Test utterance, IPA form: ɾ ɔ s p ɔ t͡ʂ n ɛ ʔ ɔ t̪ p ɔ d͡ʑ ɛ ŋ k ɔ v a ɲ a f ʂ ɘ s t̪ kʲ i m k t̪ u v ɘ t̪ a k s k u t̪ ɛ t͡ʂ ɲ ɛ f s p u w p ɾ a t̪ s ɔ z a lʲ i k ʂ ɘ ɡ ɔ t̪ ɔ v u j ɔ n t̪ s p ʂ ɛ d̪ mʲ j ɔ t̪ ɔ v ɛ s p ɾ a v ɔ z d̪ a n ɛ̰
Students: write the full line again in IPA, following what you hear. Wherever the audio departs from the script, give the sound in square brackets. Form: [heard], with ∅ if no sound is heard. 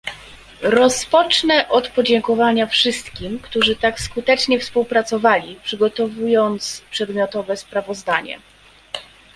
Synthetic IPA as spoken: ɾ ɔ s p ɔ t͡ʂ n ɛ ʔ ɔ t̪ p ɔ d͡ʑ ɛ ŋ k ɔ v a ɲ a f ʂ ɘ s t̪ kʲ i m k t̪ u [ʐ] ɘ t̪ a k s k u t̪ ɛ t͡ʂ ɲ ɛ f s p u w p ɾ a t̪ s ɔ [v] a lʲ i [p] ʂ ɘ ɡ ɔ t̪ ɔ v u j ɔ n t̪ s p ʂ ɛ d̪ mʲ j ɔ t̪ ɔ v ɛ s p ɾ a v ɔ z d̪ a [ɲ] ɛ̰